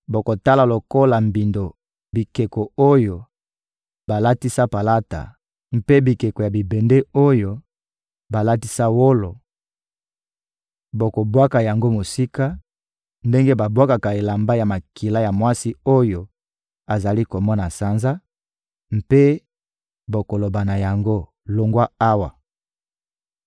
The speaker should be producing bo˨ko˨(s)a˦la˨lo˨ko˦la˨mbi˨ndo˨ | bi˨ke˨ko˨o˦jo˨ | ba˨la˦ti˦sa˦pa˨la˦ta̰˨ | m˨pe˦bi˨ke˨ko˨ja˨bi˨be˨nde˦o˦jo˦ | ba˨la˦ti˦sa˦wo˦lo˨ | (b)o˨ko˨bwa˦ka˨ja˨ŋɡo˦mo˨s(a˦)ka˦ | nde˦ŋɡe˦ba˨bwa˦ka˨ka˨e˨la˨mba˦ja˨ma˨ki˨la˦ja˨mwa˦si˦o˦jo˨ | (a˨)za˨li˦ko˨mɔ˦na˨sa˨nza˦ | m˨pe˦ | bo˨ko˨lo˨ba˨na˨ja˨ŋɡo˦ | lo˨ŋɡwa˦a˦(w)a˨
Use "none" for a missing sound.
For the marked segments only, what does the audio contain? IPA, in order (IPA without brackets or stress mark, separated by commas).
t, b, i˦, a˨, w